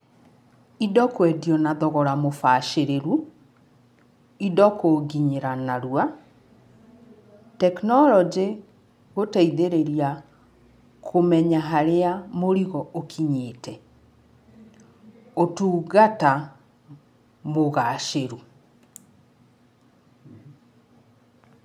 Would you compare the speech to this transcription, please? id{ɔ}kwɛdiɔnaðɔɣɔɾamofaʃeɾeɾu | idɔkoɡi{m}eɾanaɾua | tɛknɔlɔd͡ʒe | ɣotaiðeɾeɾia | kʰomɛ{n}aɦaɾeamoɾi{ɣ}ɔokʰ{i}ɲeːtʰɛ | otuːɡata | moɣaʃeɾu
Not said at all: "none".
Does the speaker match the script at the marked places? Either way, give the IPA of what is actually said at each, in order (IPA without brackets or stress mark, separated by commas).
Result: ɔ, ɲ, ɲ, ɣ, i